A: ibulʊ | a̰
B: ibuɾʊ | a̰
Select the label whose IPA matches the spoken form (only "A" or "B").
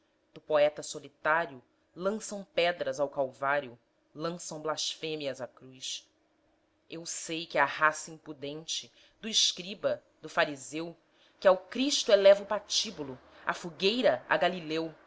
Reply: A